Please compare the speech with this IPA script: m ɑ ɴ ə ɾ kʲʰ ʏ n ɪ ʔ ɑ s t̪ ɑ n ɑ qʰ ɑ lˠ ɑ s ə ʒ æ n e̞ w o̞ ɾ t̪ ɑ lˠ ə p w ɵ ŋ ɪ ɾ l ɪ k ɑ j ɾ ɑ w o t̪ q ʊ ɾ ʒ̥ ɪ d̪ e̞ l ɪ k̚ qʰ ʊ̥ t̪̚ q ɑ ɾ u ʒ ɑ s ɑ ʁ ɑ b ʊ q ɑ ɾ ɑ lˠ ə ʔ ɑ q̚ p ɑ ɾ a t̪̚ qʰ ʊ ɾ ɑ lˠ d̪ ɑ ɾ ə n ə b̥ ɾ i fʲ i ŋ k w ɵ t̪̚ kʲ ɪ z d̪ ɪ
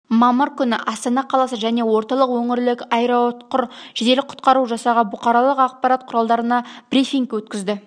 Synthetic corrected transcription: m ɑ m ə ɾ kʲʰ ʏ n ɪ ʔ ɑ s t̪ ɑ n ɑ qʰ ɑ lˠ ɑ s ə ʒ æ n e̞ w o̞ ɾ t̪ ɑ lˠ ə q w ɵ ŋ ɪ ɾ l ɪ k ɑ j ɾ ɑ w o t̪ q ʊ ɾ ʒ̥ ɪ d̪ e̞ l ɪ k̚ qʰ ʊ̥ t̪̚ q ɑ ɾ u ʒ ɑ s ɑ ʁ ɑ b ʊ q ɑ ɾ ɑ lˠ ə q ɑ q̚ p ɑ ɾ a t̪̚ qʰ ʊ ɾ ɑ lˠ d̪ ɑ ɾ ə n ɑ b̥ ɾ i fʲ i ŋ k w ɵ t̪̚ kʲ ɪ z d̪ ɪ